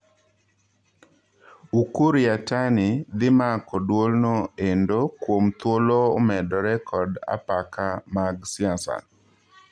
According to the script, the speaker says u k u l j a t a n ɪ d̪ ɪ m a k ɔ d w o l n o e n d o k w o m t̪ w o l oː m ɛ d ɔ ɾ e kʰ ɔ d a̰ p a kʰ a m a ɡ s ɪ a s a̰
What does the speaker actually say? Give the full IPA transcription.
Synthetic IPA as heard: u k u ɾ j a t a n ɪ d̪ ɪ m a k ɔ d w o l n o e n d o k w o m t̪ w o l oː m ɛ d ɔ ɾ ɛ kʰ ɔ d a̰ p a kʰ a m a ɡ s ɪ a s a̰

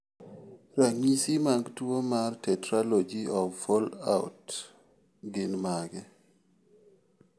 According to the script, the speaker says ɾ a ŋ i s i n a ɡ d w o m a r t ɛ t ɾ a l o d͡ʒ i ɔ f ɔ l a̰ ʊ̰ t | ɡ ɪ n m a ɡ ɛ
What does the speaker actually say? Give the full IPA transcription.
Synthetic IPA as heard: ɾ a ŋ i s i m a ɡ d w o m a r t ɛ t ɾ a l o d͡ʒ i ɔ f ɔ l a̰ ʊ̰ t | ɡ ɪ n m a ɡ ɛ

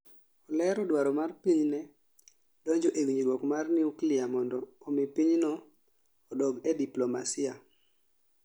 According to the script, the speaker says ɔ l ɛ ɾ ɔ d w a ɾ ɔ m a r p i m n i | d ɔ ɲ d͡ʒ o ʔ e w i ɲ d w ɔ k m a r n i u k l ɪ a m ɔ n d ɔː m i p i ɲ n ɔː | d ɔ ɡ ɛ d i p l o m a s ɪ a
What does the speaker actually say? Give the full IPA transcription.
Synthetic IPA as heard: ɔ l ɛ ɾ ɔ d w a ɾ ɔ m a r p i ɲ n ɛ | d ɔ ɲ d͡ʒ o ʔ e w i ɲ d w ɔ k m a r n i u k l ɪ a m ɔ n d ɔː m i p i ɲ n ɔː | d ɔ ɡ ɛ d i p l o m a s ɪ a

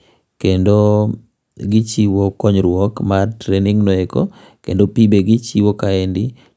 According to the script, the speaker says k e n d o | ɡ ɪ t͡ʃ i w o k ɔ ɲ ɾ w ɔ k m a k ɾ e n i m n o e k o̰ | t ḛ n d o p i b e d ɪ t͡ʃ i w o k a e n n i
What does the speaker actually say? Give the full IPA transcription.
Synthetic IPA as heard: k e n d o | ɡ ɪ t͡ʃ i w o k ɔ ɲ ɾ w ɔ k m a t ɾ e n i ŋ n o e k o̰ | k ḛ n d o p i b e ɡ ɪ t͡ʃ i w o k a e n d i

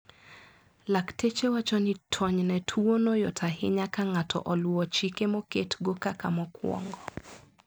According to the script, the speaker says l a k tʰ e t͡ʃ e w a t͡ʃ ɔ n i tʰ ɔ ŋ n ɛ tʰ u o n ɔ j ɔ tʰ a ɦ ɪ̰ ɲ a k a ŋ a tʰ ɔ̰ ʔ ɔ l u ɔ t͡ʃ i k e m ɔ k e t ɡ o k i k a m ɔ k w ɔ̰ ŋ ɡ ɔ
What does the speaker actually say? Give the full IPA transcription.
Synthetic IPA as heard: l a k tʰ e t͡ʃ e w a t͡ʃ ɔ n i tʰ ɔ ɲ n ɛ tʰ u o n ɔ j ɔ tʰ a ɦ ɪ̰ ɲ a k a ŋ a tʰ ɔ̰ ʔ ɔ l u ɔ t͡ʃ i k e m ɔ k e t ɡ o k a k a m ɔ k w ɔ̰ ŋ ɡ ɔ

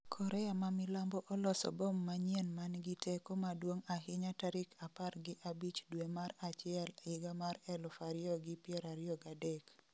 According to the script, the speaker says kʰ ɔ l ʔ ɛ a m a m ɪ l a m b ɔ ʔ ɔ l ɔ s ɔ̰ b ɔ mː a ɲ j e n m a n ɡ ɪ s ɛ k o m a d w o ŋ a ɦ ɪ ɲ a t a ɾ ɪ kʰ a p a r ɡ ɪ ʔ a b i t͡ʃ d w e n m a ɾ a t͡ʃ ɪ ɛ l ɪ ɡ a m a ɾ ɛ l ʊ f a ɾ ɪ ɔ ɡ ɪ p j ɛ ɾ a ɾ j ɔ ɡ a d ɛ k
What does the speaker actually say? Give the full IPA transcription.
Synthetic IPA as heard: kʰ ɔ ɾ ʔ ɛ a m a m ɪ l a m b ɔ ʔ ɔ l ɔ s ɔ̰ b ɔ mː a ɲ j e n m a n ɡ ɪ t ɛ k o m a d w o ŋ a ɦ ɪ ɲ a t a ɾ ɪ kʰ a p a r ɡ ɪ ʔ a b i t͡ʃ d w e m a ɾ a t͡ʃ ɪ ɛ l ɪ ɡ a m a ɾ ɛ l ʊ f a ɾ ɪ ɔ ɡ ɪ p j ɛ ɾ a ɾ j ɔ ɡ a d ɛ k

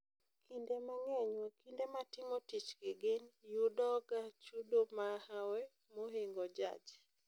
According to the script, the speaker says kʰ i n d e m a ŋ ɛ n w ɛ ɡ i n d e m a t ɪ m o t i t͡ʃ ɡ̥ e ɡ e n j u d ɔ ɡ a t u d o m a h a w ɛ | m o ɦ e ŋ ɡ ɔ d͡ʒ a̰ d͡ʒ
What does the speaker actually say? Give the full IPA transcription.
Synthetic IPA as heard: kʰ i n d e m a ŋ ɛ ɲ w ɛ k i n d e m a t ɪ m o t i t͡ʃ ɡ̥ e ɡ e n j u d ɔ ɡ a t͡ʃ u d o m a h a w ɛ | m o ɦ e ŋ ɡ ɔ d͡ʒ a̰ d͡ʒ

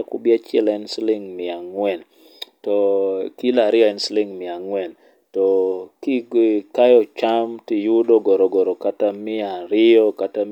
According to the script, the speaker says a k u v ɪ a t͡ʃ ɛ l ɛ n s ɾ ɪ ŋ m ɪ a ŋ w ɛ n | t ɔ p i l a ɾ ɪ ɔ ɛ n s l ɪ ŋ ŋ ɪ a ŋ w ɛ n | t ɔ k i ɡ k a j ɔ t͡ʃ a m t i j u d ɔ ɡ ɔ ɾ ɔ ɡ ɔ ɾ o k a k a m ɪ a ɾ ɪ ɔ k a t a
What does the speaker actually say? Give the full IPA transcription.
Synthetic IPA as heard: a k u b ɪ a t͡ʃ ɛ l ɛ n s l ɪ ŋ m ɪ a ŋ w ɛ n | t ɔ k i l a ɾ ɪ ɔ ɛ n s l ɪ ŋ m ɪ a ŋ w ɛ n | t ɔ k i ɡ k a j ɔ t͡ʃ a m t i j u d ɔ ɡ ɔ ɾ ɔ ɡ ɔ ɾ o k a t a m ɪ a ɾ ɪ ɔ k a t a

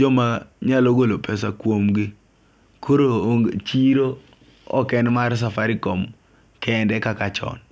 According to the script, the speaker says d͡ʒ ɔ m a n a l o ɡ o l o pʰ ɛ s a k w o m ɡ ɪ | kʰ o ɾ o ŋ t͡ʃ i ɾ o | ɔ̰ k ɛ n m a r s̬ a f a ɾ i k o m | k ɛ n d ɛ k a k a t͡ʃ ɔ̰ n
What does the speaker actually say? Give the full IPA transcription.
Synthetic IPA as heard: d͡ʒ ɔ m a ɲ a l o ɡ o l o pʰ ɛ s a k w o m ɡ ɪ | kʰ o ɾ o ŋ t͡ʃ i ɾ o | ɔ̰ k ɛ n m a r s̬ a f a ɾ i k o m | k ɛ n d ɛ k a k a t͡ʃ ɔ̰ n

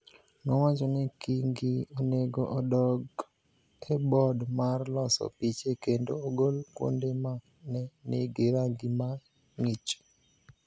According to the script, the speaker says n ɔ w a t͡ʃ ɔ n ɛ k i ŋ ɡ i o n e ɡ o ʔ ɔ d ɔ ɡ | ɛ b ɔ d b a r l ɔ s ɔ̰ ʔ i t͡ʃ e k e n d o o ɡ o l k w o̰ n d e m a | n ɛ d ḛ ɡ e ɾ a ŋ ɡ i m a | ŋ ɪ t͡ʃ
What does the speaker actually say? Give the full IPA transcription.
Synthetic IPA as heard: n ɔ w a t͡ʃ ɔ n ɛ k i ŋ ɡ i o n e ɡ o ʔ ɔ d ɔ ɡ | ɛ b ɔ d m a r l ɔ s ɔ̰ p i t͡ʃ e k e n d o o ɡ o l k w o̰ n d e m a | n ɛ n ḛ ɡ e ɾ a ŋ ɡ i m a | ŋ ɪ t͡ʃ

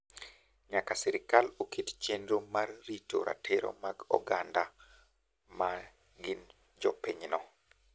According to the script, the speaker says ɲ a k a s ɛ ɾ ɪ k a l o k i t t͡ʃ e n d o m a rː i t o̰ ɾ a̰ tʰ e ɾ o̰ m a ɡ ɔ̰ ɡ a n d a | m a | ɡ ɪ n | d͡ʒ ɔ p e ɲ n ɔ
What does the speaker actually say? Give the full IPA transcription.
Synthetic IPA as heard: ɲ a k a s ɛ ɾ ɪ k a l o k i t t͡ʃ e n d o m a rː i t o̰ ɾ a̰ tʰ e ɾ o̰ m a ɡ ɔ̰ ɡ a n d a | m a | ɡ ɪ n | d͡ʒ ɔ p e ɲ n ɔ

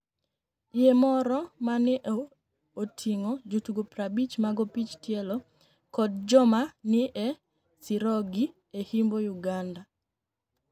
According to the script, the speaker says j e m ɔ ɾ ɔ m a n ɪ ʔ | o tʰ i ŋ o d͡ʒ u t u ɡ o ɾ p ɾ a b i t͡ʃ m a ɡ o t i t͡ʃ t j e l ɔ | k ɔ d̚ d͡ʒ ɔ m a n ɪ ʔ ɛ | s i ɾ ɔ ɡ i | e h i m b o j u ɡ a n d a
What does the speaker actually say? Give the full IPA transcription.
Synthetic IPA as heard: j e m ɔ ɾ ɔ m a n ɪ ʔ | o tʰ i ŋ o d͡ʒ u t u ɡ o p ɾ a b i t͡ʃ m a ɡ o p i t͡ʃ t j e l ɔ | k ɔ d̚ d͡ʒ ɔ m a n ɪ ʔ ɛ | s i ɾ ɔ ɡ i | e h i m b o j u ɡ a n d a

